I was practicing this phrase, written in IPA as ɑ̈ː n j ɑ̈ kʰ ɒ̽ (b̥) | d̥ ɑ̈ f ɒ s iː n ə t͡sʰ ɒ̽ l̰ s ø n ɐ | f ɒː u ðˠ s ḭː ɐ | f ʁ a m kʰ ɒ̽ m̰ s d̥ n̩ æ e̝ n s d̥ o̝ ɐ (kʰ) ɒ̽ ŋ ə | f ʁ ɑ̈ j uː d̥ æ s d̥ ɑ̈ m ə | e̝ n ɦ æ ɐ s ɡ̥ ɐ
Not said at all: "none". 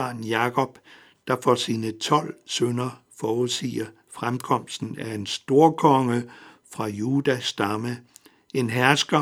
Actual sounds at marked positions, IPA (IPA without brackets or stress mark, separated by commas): b̥, kʰ